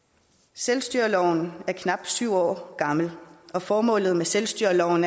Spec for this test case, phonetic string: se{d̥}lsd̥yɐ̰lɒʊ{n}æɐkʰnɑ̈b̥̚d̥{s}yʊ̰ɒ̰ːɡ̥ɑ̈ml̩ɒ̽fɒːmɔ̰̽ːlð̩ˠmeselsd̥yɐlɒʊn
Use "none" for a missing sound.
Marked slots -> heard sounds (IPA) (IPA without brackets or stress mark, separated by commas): none, n, s